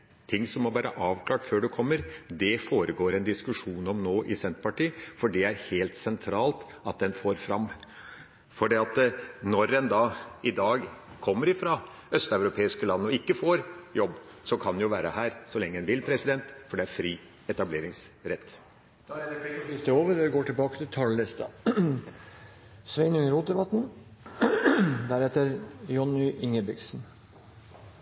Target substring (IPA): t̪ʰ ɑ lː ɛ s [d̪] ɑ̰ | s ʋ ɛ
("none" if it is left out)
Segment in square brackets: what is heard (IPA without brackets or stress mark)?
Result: t̪